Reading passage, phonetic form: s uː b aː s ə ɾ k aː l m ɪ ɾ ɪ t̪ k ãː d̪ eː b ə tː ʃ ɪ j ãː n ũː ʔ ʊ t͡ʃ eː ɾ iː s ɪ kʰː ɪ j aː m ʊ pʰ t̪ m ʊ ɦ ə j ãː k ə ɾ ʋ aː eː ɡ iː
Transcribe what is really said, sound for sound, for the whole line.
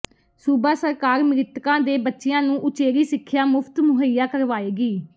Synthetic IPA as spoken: s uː b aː s ə ɾ k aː ɾ m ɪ ɾ ɪ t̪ k ãː d̪ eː b ə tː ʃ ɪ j ãː n ũː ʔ ʊ t͡ʃ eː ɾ iː s ɪ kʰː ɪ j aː m ʊ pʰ t̪ m ʊ ɦ ə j aː k ə ɾ ʋ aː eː ɡ iː